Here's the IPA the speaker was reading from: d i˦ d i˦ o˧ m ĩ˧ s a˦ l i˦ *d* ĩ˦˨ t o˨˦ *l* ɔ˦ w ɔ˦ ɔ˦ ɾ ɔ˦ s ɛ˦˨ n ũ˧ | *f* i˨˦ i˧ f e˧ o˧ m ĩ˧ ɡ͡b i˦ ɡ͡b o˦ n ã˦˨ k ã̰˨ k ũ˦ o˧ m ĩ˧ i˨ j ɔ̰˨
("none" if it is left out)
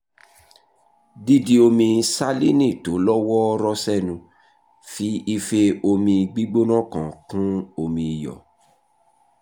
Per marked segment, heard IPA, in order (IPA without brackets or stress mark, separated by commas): n, l, f